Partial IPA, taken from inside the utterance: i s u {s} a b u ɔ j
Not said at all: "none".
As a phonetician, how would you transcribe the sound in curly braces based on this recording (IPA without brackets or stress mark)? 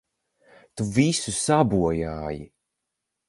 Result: s